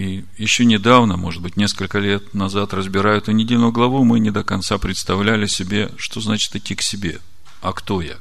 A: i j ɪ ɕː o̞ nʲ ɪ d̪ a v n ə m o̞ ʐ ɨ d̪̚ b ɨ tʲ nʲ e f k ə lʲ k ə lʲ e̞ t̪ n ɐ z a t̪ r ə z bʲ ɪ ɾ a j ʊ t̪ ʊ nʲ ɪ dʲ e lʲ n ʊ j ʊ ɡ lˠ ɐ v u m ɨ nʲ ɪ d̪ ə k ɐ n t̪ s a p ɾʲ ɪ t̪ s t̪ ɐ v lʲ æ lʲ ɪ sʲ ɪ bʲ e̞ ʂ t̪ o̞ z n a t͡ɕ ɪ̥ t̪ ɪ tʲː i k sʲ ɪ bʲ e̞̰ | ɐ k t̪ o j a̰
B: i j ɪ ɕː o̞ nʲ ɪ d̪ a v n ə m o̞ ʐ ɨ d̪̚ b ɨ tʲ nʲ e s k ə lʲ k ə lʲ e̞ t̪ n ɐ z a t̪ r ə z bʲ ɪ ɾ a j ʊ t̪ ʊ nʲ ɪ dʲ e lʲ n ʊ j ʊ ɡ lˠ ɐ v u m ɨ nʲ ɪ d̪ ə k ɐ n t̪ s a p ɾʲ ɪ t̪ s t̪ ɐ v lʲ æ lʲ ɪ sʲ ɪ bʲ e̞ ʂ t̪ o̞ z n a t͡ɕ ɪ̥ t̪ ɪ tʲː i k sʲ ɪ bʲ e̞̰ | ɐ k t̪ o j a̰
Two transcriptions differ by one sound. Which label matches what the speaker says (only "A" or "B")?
B